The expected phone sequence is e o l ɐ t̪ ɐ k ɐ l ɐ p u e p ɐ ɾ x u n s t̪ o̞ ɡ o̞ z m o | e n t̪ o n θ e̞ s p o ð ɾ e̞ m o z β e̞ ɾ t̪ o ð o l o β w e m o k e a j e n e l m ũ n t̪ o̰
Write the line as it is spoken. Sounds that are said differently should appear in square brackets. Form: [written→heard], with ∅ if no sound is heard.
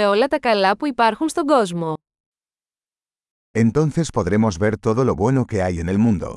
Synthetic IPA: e o l ɐ t̪ ɐ k ɐ l ɐ p u [e→i] p ɐ ɾ x u n s t̪ o̞ ɡ o̞ z m o | e n t̪ o n θ e̞ s p o ð ɾ e̞ m o z β e̞ ɾ t̪ o ð o l o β w e [m→n] o k e a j e n e l m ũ n [t̪→d̪] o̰